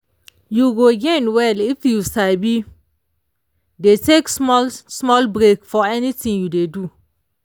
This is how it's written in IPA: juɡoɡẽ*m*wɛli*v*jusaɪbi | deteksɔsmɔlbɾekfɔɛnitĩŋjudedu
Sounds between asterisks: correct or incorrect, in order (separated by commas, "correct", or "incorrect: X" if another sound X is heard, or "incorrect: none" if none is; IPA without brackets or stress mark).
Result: incorrect: n, incorrect: f